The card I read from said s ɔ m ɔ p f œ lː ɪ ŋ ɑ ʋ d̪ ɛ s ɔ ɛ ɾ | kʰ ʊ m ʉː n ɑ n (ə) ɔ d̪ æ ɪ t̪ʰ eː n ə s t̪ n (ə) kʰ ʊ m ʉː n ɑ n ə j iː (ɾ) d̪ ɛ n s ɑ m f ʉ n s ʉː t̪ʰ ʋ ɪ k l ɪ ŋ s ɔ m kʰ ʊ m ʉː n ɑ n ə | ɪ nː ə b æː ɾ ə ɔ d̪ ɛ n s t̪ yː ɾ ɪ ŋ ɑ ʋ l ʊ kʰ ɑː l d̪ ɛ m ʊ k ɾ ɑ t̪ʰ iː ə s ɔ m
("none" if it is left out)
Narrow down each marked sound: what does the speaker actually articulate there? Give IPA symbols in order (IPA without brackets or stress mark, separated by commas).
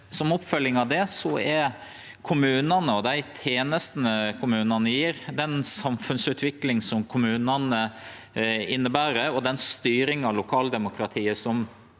ə, ə, ɾ